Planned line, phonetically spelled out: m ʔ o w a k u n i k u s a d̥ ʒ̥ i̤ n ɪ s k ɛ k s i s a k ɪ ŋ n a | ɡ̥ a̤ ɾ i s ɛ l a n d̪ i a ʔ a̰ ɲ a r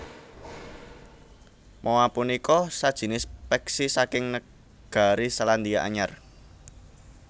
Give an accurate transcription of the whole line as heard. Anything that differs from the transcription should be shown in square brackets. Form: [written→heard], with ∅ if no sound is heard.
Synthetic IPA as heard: m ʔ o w a [k→p] u n i k [u→ɔ] s a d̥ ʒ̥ i̤ n ɪ s [k→p] ɛ k s i s a k ɪ ŋ n [a→ə] | ɡ̥ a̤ ɾ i s [ɛ→a] l a n d̪ i a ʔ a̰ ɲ a r